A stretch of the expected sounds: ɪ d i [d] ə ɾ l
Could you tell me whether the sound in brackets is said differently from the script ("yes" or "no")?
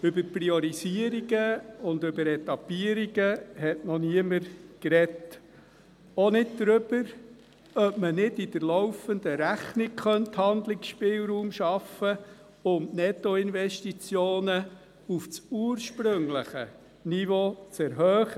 no